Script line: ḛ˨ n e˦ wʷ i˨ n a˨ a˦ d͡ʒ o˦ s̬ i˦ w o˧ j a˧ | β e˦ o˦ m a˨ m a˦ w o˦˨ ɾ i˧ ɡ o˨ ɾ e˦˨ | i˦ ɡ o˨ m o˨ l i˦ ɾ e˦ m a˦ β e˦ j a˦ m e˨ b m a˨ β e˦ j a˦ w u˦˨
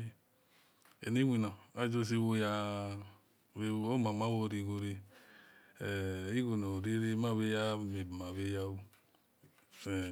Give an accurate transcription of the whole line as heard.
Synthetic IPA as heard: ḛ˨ n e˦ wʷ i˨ n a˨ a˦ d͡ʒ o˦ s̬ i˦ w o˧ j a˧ | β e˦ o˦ m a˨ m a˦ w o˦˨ ɾ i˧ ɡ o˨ ɾ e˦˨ | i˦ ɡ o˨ n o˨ ɾ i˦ ɾ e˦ m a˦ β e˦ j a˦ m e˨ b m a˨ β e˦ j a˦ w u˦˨